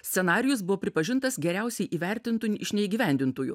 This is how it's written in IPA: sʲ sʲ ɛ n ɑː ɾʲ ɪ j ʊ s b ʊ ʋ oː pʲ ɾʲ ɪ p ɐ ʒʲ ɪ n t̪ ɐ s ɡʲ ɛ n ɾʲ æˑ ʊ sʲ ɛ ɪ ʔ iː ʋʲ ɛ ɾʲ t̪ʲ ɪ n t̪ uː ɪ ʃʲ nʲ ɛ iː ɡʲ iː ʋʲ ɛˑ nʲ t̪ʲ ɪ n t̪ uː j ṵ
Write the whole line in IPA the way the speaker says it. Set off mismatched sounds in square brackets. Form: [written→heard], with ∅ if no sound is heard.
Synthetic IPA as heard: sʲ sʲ ɛ n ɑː ɾʲ ɪ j ʊ s b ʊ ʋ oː pʲ ɾʲ ɪ p ɐ ʒʲ ɪ n t̪ ɐ s ɡʲ ɛ [n→∅] ɾʲ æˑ ʊ sʲ ɛ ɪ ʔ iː ʋʲ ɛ ɾʲ t̪ʲ ɪ n t̪ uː ɪ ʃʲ nʲ ɛ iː ɡʲ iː ʋʲ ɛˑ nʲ [t̪ʲ→d̪ʲ] ɪ n t̪ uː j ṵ